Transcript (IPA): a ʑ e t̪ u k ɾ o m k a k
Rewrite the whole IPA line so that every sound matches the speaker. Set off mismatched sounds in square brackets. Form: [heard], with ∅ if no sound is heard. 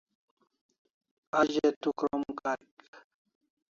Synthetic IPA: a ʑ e t̪ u k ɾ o m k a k